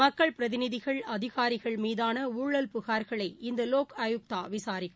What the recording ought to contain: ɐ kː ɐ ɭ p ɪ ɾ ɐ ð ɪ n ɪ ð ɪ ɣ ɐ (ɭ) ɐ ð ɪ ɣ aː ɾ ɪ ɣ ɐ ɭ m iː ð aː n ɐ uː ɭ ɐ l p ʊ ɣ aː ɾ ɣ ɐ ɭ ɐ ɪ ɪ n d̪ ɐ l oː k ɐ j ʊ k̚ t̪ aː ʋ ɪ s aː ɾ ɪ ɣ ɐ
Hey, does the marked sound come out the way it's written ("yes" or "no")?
yes